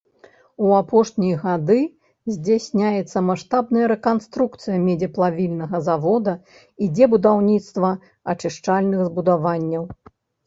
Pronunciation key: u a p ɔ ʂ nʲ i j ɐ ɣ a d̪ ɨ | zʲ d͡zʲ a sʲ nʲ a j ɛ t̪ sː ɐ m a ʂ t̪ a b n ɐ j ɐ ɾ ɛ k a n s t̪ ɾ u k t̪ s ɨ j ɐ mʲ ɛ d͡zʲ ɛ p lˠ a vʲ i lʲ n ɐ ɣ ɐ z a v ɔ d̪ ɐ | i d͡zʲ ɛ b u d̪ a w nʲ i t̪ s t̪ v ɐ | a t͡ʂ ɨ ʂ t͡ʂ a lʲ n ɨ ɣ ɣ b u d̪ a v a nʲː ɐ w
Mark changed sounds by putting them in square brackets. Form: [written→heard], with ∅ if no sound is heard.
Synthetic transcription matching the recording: u a p ɔ ʂ nʲ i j ɐ ɣ a d̪ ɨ | zʲ d͡zʲ a sʲ nʲ a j ɛ t̪ sː ɐ m a ʂ t̪ a b n ɐ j ɐ ɾ ɛ k a n s t̪ ɾ u k t̪ s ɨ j ɐ mʲ ɛ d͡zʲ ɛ p lˠ a vʲ i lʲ n ɐ ɣ ɐ z a v ɔ d̪ ɐ | i d͡zʲ ɛ b u d̪ a w nʲ i t̪ s t̪ v ɐ | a t͡ʂ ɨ ʂ t͡ʂ a lʲ n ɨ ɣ [ɣ→z] b u d̪ a v a nʲː ɐ w

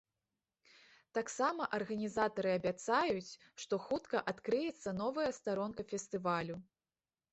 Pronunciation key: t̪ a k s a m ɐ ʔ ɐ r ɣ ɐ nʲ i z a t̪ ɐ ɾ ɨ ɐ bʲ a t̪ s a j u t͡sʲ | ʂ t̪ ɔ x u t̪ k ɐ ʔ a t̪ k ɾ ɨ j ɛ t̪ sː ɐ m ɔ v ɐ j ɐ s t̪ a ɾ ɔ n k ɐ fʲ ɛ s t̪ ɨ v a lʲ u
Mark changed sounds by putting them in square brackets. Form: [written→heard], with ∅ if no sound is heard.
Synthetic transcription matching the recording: t̪ a k s a m ɐ ʔ ɐ r ɣ ɐ nʲ i z a t̪ ɐ ɾ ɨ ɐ bʲ a t̪ s a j u t͡sʲ | ʂ t̪ ɔ x u t̪ k ɐ ʔ a t̪ k ɾ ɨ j ɛ t̪ sː ɐ [m→n] ɔ v ɐ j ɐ s t̪ a ɾ ɔ n k ɐ fʲ ɛ s t̪ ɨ v a lʲ u

